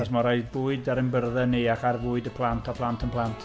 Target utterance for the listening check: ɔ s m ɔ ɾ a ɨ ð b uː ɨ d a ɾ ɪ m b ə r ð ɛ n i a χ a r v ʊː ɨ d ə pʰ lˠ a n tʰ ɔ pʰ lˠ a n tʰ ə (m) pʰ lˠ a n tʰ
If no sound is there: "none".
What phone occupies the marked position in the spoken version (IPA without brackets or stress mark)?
n